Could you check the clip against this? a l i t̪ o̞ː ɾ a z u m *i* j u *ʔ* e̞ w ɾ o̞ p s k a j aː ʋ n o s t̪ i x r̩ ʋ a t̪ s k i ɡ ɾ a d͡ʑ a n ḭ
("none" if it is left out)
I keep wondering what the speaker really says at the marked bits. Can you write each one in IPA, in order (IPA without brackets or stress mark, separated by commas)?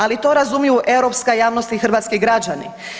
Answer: i, ʔ